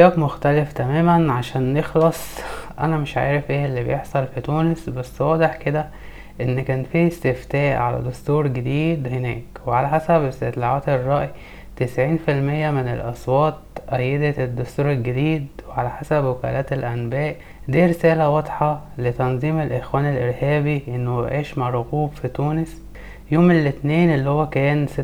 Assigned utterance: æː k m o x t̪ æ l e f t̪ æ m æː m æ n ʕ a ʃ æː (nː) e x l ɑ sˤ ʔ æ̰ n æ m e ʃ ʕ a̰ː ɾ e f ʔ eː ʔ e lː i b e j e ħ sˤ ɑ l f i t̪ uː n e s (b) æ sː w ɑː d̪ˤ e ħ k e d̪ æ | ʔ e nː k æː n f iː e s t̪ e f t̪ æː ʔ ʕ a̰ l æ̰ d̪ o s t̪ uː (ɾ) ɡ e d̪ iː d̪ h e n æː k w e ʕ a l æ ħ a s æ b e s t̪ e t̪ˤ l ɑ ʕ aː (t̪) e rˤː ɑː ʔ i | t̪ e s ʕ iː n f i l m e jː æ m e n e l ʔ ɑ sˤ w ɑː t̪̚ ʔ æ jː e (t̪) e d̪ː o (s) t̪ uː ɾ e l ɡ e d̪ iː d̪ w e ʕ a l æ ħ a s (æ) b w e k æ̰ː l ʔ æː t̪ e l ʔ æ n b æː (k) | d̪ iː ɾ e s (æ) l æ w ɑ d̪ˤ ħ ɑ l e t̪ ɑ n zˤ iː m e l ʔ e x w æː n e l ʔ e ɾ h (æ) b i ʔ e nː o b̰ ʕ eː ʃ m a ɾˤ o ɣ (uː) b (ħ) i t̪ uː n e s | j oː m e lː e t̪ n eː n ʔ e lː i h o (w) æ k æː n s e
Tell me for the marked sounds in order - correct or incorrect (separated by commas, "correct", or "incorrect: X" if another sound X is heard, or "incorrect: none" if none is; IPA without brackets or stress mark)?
correct, correct, correct, correct, incorrect: d̪, correct, correct, incorrect: ʔ, incorrect: æː, incorrect: æː, correct, incorrect: f, incorrect: wː